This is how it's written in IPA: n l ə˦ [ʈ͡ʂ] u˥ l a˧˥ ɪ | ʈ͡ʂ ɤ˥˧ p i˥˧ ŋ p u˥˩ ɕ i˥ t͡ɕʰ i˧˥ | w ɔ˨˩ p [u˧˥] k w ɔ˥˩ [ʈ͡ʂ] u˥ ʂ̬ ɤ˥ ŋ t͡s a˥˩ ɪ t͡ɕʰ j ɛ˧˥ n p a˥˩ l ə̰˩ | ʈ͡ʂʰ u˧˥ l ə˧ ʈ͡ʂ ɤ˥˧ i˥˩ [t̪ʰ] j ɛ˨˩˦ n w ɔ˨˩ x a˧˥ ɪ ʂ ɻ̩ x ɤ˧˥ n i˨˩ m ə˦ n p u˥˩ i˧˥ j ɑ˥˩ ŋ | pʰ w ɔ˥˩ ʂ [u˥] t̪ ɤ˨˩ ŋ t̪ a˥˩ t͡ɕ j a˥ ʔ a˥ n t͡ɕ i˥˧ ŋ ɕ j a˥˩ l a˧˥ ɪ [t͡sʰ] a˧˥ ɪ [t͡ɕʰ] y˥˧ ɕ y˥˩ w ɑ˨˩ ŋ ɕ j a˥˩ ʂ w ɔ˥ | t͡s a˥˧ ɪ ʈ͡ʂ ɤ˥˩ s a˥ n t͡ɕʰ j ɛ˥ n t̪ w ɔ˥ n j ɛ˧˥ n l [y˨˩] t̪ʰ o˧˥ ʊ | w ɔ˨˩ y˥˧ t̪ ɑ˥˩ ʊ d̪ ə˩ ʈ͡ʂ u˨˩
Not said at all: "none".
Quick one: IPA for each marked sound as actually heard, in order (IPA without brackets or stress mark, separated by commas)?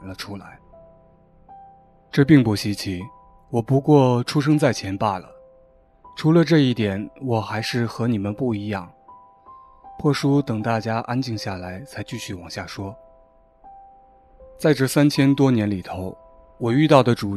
ʈ͡ʂʰ, u˧˥, ʈ͡ʂʰ, t̪, u˥, t͡sʰ, t͡ɕ, i˨˩